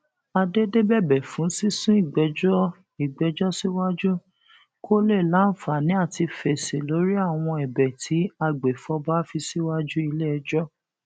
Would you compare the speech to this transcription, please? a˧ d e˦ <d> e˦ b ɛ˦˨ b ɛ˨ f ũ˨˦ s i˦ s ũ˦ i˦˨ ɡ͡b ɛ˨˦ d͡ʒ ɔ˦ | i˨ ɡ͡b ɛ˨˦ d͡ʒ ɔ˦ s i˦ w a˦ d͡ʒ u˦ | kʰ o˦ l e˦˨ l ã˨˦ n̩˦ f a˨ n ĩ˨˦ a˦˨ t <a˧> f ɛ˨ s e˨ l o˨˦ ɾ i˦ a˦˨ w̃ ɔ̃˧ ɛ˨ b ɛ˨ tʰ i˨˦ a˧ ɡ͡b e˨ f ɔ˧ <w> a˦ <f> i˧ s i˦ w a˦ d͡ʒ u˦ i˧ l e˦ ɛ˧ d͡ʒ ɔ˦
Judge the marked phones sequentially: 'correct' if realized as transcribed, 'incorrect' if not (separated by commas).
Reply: correct, incorrect, incorrect, correct